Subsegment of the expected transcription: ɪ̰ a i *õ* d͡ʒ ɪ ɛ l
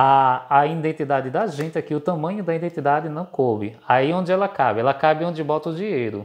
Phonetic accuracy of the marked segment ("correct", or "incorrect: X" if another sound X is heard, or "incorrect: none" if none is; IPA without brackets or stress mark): correct